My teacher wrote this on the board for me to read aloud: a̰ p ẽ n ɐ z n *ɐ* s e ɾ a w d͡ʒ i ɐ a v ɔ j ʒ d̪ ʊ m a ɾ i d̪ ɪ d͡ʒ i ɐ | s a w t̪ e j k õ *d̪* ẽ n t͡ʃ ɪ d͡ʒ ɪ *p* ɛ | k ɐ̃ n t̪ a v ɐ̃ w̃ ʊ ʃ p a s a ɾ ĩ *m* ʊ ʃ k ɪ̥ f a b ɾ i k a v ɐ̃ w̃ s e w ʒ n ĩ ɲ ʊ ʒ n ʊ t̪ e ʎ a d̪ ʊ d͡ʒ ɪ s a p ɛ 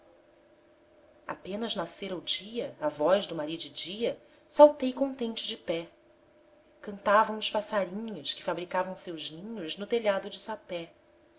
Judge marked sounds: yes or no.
no, no, yes, no

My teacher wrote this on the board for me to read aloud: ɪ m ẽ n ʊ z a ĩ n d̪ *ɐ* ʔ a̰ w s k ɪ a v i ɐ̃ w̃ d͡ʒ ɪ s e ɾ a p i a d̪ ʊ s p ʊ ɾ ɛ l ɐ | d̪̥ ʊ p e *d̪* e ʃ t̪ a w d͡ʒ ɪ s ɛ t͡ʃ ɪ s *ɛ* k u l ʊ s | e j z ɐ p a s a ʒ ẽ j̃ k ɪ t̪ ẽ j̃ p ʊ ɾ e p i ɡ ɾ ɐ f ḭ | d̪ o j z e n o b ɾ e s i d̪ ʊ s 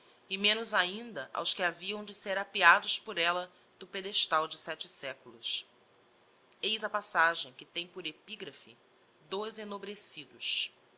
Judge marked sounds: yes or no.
yes, yes, yes

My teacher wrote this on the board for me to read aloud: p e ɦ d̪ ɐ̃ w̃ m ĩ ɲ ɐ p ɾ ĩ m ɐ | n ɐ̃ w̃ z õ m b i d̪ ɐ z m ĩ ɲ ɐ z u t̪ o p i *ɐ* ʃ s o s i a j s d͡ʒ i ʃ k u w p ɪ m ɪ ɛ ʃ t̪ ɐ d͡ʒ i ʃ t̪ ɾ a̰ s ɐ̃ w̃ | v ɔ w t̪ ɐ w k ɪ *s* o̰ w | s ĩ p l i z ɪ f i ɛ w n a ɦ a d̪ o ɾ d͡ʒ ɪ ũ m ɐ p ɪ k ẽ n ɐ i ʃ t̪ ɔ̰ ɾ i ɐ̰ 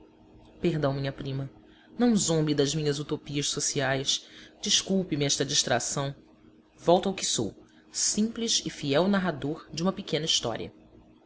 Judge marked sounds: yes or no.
yes, yes

